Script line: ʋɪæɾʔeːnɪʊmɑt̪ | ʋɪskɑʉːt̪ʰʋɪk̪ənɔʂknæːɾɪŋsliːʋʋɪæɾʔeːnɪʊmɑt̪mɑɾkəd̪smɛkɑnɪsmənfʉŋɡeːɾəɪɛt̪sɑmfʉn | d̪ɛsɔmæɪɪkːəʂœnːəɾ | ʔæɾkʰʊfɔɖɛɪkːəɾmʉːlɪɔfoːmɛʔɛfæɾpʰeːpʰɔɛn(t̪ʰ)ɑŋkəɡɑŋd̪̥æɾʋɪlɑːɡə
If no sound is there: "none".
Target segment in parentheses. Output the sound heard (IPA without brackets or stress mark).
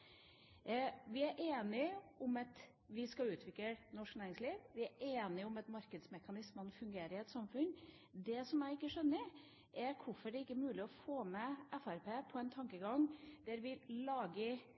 t̪ʰ